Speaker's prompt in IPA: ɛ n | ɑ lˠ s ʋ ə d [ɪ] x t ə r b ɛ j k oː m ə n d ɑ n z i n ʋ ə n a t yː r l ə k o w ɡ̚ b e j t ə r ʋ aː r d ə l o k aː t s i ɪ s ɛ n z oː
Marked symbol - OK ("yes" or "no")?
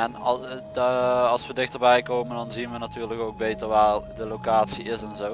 yes